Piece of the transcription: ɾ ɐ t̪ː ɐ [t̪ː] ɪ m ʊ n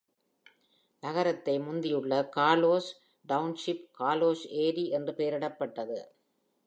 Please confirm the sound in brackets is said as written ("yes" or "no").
no